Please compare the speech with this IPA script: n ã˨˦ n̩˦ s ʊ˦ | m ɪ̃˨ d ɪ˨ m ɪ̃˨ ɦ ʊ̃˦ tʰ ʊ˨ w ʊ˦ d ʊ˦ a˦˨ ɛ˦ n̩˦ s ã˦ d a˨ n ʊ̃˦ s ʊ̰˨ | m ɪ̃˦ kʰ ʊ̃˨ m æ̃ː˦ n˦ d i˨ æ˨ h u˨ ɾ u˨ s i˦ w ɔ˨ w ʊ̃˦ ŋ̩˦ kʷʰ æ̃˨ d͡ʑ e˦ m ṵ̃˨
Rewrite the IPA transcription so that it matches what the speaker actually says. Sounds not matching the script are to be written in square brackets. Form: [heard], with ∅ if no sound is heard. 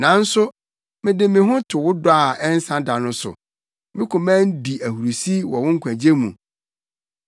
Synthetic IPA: n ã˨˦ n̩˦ s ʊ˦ | m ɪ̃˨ d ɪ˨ m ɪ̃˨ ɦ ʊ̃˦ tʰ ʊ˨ w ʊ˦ d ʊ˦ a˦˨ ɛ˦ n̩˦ s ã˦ d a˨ n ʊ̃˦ s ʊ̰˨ | m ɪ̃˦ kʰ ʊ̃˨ m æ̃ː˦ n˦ d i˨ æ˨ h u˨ ɾ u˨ s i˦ w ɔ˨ w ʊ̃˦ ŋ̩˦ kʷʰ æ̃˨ d͡ʑ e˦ m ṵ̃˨